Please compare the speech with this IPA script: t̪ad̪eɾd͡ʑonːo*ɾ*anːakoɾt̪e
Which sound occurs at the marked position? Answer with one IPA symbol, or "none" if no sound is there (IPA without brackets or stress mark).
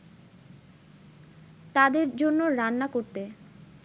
ɾ